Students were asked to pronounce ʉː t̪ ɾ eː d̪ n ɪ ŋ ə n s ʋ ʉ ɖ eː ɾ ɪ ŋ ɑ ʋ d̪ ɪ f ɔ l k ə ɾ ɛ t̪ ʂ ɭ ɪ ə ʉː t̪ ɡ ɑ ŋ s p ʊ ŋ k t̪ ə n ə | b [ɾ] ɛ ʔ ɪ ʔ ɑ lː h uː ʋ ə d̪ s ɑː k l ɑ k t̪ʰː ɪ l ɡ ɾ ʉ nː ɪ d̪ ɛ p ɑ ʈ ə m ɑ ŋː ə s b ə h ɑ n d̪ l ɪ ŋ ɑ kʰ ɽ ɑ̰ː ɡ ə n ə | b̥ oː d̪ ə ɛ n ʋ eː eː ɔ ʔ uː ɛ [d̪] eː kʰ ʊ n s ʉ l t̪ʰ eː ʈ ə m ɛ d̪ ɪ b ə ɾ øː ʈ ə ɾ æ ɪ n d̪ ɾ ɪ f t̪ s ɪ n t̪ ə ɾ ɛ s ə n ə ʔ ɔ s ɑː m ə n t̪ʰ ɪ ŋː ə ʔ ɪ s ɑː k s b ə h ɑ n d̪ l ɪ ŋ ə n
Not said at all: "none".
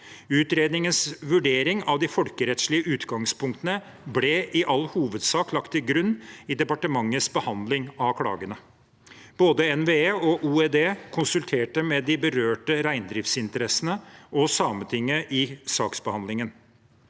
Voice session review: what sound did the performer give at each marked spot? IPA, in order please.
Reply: l, d̪

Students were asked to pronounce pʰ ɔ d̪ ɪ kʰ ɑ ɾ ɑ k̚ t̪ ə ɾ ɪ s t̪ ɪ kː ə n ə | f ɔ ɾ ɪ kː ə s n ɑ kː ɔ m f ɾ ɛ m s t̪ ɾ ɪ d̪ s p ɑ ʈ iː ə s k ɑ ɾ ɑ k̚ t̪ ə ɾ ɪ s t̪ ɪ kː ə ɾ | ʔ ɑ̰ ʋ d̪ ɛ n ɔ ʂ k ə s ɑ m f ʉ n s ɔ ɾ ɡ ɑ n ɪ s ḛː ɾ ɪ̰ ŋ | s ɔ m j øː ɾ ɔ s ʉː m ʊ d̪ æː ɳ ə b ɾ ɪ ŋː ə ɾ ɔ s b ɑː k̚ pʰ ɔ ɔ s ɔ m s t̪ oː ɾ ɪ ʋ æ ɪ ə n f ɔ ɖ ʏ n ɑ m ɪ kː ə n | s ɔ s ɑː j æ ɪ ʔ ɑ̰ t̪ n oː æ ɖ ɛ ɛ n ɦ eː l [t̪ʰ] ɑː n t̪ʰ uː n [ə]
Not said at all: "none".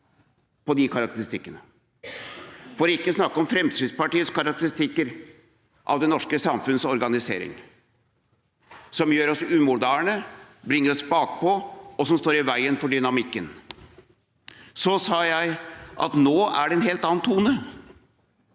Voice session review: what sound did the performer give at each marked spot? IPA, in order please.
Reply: t̪, ə

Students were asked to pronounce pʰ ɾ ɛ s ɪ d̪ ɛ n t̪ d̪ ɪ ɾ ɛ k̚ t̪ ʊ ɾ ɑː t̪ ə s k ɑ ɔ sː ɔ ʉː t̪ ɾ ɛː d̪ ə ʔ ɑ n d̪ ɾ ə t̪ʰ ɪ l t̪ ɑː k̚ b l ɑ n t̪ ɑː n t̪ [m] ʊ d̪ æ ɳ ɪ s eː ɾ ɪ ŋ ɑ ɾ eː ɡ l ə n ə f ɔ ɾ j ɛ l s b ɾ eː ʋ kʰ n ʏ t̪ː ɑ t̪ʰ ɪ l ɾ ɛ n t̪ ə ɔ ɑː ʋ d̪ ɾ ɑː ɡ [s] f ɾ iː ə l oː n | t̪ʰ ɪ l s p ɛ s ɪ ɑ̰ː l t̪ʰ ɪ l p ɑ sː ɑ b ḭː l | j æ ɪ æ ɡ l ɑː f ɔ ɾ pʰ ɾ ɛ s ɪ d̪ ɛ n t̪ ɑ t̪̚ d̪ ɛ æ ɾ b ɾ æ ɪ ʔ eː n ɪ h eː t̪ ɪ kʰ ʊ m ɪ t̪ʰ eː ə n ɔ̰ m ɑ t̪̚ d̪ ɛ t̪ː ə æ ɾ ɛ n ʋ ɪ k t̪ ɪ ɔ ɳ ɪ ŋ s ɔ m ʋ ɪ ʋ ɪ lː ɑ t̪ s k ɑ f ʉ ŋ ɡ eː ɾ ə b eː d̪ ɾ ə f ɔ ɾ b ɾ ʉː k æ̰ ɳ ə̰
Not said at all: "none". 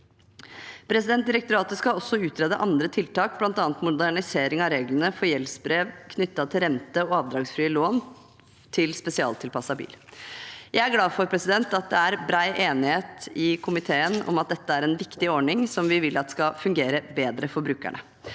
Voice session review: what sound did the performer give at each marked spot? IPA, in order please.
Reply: m, s

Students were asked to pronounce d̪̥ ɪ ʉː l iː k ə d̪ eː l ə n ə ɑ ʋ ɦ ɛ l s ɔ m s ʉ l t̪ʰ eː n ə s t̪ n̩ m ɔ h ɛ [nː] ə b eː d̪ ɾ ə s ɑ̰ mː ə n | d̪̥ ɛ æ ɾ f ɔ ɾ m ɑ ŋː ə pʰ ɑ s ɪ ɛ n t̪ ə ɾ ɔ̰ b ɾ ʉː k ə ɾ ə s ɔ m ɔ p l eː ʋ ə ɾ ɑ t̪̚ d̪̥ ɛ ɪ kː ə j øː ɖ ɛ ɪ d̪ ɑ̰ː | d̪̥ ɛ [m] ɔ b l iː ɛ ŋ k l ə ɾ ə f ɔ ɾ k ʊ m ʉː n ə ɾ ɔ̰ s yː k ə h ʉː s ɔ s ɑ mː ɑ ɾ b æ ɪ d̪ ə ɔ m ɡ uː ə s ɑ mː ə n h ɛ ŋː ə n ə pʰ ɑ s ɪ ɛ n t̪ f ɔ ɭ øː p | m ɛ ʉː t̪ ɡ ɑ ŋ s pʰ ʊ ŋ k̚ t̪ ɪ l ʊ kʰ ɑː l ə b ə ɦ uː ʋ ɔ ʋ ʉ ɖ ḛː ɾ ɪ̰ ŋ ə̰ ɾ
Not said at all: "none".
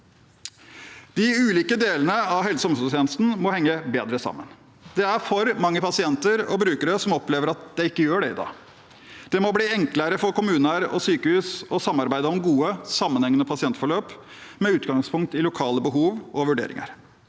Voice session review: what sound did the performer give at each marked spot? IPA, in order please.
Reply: ŋː, m

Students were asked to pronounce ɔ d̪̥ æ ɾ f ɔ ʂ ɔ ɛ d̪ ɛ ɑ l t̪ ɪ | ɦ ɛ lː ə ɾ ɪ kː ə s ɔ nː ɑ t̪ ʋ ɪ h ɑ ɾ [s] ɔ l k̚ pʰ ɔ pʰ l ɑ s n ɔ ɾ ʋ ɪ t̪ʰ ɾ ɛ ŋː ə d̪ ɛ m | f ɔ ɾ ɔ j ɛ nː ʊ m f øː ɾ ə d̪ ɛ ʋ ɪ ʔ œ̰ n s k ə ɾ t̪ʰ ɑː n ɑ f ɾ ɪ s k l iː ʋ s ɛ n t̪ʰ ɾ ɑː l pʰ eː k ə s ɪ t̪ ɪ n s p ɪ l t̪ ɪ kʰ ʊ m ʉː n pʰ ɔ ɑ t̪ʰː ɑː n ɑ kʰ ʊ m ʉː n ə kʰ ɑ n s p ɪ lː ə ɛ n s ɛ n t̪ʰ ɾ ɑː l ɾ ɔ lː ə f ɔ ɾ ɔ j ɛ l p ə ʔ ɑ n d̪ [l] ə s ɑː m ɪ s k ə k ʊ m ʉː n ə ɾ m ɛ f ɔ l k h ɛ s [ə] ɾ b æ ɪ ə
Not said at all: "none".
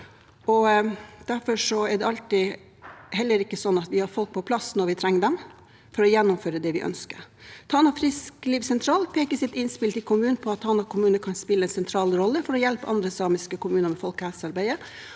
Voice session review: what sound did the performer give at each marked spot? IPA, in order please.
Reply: f, ɾ, ɑ

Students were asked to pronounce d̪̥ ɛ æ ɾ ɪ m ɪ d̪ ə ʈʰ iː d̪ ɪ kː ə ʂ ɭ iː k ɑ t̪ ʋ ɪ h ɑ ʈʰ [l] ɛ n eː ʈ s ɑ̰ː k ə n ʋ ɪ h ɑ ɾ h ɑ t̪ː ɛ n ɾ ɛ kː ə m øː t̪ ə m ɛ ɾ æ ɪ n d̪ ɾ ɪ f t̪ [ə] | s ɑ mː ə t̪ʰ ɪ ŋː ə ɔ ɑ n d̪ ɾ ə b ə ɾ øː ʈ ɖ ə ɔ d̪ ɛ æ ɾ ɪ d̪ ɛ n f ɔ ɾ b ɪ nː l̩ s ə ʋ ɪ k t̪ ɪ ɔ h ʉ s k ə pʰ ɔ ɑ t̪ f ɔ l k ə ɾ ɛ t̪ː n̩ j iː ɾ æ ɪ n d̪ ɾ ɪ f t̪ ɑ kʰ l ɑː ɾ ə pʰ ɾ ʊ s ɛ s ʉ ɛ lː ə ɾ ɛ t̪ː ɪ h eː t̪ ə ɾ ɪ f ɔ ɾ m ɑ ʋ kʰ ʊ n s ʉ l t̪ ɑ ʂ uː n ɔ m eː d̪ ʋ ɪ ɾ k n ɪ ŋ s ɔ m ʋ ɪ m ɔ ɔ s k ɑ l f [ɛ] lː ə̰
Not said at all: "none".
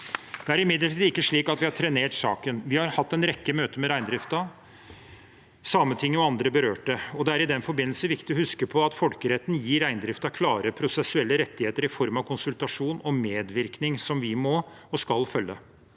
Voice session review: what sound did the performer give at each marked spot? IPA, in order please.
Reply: ɾ, ɑ, œ

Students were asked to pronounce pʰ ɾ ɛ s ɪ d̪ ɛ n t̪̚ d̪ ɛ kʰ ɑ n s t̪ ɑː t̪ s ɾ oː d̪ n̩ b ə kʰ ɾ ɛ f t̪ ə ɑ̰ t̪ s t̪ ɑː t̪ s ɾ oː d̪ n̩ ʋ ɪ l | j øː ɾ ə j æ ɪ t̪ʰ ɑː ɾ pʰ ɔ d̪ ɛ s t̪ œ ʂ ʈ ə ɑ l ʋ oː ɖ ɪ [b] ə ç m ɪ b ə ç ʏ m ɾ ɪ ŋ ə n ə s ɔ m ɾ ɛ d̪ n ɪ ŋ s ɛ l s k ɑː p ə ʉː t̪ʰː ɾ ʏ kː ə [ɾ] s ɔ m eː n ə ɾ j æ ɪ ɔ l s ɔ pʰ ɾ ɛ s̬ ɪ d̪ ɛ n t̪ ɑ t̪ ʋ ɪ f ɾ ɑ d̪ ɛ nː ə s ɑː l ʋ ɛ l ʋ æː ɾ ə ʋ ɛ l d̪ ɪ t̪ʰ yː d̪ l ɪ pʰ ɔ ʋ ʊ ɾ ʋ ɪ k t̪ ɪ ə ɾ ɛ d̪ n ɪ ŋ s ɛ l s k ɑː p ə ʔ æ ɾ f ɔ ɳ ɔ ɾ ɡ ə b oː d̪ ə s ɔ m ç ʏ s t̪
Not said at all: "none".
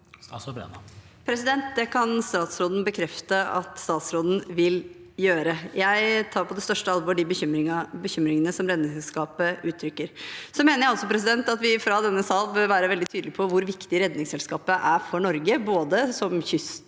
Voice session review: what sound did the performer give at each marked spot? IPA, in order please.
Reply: b, ɾ

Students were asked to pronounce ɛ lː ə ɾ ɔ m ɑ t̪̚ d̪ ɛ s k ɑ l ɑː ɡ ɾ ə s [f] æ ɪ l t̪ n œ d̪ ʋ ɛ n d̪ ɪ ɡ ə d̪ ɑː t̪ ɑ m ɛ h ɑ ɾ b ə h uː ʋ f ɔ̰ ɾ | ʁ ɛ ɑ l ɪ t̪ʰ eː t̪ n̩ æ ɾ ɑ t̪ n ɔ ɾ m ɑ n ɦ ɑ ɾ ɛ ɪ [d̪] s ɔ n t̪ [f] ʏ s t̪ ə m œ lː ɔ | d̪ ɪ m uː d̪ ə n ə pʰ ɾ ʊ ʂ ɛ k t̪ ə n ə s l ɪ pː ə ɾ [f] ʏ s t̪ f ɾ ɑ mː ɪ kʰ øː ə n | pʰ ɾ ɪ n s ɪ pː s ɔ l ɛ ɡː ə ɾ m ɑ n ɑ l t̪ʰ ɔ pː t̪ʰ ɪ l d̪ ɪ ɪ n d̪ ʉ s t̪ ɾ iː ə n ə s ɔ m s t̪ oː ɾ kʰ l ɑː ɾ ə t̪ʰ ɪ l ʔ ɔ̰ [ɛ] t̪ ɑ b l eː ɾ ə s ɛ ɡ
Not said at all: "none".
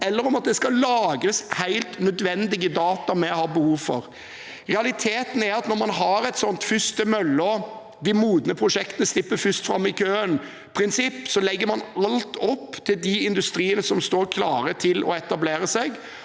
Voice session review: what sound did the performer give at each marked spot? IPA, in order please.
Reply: h, t̪, f, f, ɛ

